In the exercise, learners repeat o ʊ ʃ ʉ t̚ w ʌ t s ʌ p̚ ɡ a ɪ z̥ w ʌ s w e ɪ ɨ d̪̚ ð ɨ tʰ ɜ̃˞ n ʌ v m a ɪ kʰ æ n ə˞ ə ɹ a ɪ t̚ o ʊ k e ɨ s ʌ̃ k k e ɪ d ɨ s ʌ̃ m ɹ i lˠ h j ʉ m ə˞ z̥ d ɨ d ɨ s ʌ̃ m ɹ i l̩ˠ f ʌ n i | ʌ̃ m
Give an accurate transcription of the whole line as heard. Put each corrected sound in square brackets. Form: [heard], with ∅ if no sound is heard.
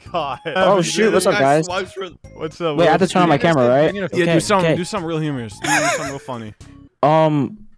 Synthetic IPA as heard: o ʊ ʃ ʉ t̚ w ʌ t s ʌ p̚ ɡ a ɪ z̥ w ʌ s w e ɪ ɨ [t̪̚] ð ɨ tʰ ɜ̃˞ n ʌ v m a ɪ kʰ æ [m] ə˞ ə ɹ a ɪ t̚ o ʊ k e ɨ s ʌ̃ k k e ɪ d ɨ s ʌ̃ m ɹ i lˠ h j ʉ m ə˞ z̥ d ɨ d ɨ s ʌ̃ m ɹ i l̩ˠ f ʌ n i | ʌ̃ m